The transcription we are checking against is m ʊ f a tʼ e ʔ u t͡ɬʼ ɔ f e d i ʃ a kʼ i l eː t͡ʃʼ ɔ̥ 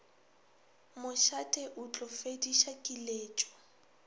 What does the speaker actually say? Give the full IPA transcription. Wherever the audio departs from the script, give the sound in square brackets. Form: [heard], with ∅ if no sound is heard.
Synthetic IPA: m ʊ [ʃ] a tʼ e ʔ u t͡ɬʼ ɔ f e d i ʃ a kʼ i l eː t͡ʃʼ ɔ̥